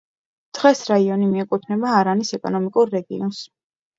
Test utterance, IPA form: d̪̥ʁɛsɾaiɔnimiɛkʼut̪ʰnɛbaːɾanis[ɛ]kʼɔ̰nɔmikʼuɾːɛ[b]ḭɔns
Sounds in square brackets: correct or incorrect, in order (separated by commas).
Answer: correct, incorrect